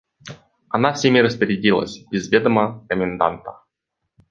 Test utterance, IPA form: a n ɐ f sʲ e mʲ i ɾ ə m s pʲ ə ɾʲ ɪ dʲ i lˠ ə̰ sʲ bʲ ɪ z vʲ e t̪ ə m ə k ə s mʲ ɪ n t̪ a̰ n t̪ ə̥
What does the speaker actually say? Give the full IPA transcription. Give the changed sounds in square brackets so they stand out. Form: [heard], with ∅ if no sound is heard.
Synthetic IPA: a n [a] f sʲ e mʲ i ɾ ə [∅] s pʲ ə ɾʲ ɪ dʲ i lˠ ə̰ sʲ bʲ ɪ z vʲ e [d̪] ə m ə k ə [∅] mʲ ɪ n [d̪] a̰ n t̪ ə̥

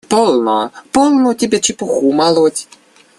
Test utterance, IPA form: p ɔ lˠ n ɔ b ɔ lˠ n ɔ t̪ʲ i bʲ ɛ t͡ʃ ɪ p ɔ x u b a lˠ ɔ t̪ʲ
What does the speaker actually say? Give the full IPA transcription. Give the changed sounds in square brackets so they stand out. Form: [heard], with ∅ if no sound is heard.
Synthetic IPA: p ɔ lˠ n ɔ [p] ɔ lˠ n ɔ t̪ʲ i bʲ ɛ t͡ʃ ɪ p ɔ x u [m] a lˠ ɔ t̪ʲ

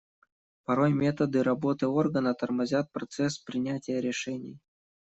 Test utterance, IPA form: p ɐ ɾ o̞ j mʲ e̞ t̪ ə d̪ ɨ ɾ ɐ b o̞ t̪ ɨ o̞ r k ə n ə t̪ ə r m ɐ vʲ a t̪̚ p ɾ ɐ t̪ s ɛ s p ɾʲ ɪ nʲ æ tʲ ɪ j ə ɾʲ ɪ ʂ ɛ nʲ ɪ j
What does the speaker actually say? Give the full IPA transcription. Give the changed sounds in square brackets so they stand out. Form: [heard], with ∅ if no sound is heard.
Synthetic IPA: p ɐ ɾ o̞ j mʲ e̞ t̪ ə d̪ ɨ ɾ ɐ b o̞ t̪ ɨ o̞ r [ɡ] ə n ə t̪ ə r m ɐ [zʲ] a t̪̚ p ɾ ɐ t̪ s ɛ s p ɾʲ ɪ nʲ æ tʲ ɪ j ə ɾʲ ɪ ʂ ɛ nʲ ɪ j

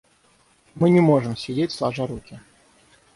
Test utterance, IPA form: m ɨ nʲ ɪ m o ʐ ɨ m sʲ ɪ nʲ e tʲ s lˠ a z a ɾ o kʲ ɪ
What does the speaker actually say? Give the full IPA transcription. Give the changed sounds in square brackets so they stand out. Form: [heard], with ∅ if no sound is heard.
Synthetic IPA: m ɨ nʲ ɪ m o ʐ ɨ m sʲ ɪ [dʲ] e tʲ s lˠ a [ʐ] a ɾ [u] kʲ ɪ

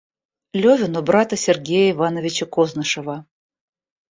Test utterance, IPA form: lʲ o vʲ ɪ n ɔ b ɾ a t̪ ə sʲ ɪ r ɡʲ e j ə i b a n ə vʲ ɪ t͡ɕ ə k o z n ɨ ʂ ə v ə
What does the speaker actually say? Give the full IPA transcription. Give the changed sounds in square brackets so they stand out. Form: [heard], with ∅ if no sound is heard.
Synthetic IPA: lʲ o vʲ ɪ n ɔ b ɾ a t̪ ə sʲ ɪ r ɡʲ e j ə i [v] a n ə vʲ ɪ t͡ɕ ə k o z n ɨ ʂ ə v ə

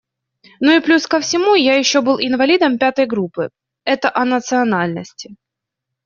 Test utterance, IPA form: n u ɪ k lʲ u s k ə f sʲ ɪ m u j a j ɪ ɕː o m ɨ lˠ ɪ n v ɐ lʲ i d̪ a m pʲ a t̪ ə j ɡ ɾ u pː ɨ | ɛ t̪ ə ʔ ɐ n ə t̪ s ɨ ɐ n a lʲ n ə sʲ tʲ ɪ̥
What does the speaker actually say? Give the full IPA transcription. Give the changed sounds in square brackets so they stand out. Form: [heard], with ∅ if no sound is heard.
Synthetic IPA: n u ɪ [p] lʲ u s k ə f sʲ ɪ m u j a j ɪ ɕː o [b] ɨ lˠ ɪ n v ɐ lʲ i d̪ [ə] m pʲ a t̪ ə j ɡ ɾ u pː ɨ | ɛ t̪ ə ʔ ɐ n ə t̪ s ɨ ɐ n a lʲ n ə sʲ tʲ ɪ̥

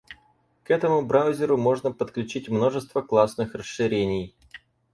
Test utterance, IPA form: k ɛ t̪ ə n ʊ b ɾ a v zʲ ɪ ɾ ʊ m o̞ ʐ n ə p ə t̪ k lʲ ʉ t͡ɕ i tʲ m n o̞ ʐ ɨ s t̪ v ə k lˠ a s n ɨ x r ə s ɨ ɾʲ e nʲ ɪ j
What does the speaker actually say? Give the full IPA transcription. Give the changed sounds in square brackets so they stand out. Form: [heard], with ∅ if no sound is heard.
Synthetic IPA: k ɛ t̪ ə [m] ʊ b ɾ a [w] zʲ ɪ ɾ ʊ m o̞ ʐ n ə p ə t̪ k lʲ ʉ t͡ɕ i tʲ m n o̞ ʐ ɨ s t̪ v ə k lˠ a s n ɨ x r ə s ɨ ɾʲ e nʲ ɪ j

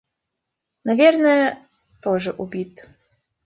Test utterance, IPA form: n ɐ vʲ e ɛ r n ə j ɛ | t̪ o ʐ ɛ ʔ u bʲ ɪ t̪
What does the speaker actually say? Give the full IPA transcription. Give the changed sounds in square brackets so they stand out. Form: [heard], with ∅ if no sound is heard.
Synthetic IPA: n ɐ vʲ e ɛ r n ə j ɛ | t̪ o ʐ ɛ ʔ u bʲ [i] t̪

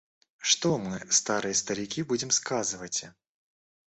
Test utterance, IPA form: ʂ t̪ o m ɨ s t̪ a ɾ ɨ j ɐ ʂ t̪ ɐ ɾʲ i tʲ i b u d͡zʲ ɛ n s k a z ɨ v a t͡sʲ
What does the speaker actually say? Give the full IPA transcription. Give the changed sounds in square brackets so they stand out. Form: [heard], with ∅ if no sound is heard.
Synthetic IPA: ʂ t̪ [ɔ] m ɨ s t̪ a ɾ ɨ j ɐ [s] t̪ ɐ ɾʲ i [kʲ] i b u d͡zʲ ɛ [m] s k a z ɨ v [ɐ] t͡sʲ

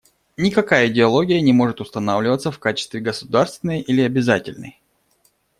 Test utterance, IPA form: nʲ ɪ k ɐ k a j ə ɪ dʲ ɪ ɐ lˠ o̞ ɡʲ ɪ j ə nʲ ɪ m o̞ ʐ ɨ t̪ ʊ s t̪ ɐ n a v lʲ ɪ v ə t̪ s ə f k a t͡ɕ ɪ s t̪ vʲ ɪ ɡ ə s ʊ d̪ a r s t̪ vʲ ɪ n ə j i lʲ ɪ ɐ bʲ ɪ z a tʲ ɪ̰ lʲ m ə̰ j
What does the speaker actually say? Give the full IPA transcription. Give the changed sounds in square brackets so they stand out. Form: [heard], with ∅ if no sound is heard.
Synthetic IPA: nʲ ɪ k ɐ k a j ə ɪ dʲ ɪ ɐ lˠ o̞ ɡʲ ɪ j ə nʲ ɪ m o̞ ʐ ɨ t̪ ʊ s t̪ ɐ n a v lʲ ɪ v ə t̪ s ə f k a t͡ɕ ɪ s t̪ vʲ ɪ ɡ ə s ʊ d̪ a r s t̪ vʲ ɪ n ə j i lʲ ɪ ɐ bʲ ɪ z a tʲ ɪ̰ lʲ [n] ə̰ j

